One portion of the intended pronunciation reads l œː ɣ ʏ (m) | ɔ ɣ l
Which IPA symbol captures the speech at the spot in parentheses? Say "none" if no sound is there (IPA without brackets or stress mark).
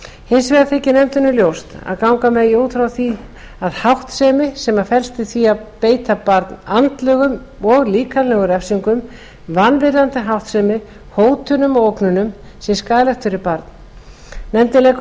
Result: m